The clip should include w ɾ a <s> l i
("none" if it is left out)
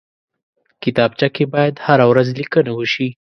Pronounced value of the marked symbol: z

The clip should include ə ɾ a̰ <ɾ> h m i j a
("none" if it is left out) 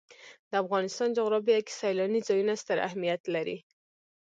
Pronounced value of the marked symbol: none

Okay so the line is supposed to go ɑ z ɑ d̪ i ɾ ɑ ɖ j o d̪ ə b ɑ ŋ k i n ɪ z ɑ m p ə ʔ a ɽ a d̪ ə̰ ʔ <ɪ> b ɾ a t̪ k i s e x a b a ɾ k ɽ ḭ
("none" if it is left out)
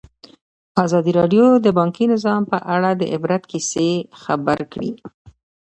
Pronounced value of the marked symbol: ɪ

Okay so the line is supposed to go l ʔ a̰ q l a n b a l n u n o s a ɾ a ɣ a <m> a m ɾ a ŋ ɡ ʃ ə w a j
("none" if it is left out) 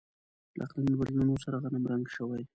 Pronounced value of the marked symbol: n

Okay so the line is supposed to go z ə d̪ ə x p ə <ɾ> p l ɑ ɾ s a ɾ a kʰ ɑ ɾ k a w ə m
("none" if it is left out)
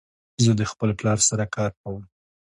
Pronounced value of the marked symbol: l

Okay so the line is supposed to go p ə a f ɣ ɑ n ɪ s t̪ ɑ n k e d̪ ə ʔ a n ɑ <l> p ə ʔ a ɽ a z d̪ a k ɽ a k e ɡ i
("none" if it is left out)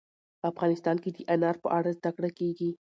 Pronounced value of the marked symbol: ɾ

